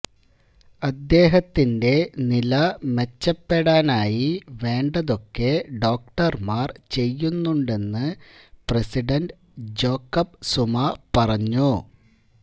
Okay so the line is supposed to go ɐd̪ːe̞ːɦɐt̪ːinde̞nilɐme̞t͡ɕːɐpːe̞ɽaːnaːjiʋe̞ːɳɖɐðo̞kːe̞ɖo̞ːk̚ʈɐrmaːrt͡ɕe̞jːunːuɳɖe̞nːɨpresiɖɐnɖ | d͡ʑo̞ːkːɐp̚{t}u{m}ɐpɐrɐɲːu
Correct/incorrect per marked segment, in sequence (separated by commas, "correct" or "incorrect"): incorrect, correct